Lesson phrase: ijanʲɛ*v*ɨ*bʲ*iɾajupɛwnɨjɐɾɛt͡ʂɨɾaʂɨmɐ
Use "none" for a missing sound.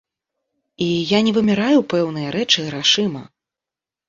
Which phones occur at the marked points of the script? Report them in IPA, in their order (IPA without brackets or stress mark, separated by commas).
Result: v, mʲ